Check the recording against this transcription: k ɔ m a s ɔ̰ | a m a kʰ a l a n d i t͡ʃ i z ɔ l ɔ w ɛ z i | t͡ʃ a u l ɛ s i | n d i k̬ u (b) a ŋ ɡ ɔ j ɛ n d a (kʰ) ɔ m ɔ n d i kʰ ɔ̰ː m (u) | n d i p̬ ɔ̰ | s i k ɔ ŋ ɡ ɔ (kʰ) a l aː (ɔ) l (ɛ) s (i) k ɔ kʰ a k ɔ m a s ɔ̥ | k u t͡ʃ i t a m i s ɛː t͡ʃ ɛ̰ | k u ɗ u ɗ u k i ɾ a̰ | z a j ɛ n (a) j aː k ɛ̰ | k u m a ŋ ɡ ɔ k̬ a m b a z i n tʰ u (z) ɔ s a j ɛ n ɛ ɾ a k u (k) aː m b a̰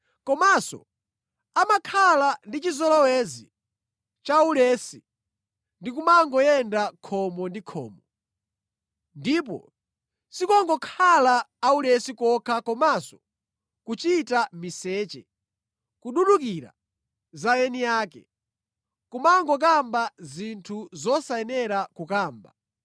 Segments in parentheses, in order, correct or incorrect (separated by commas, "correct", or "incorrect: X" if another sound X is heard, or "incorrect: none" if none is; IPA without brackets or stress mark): incorrect: m, correct, incorrect: ɔ, correct, incorrect: u, correct, correct, incorrect: i, correct, correct